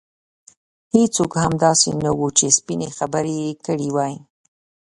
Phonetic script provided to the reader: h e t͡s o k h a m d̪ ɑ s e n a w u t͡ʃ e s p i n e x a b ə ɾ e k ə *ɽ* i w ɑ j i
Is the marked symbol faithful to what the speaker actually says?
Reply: yes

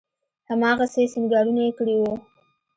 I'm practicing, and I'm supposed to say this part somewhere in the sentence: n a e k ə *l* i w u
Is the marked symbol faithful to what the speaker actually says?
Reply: no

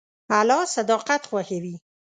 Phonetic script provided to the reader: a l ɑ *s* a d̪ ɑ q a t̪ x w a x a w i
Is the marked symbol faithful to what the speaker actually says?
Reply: yes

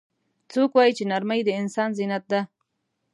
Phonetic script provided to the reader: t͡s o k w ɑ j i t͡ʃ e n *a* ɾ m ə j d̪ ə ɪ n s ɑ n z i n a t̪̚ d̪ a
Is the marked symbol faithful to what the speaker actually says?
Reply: yes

